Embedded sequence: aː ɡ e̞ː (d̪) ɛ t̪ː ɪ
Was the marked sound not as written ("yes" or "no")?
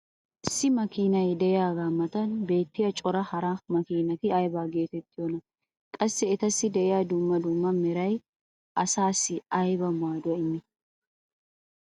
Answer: yes